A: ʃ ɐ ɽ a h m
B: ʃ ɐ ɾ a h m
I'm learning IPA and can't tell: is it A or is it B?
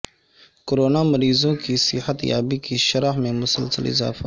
B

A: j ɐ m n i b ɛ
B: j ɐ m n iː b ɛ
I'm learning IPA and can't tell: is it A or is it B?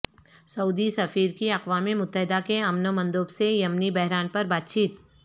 A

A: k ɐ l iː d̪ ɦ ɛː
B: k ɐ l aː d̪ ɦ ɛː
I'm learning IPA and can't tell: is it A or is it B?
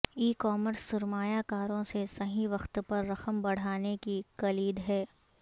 A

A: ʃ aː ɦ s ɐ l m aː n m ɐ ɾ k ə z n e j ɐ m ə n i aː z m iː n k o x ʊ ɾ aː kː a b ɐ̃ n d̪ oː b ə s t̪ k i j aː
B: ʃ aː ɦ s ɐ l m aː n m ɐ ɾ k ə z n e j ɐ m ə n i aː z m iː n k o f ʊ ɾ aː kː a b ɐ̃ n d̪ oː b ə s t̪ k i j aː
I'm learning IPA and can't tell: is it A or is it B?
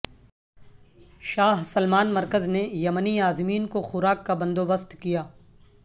A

